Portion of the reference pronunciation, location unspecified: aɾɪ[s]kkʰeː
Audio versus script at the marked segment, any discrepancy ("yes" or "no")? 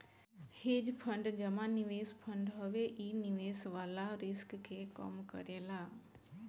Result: no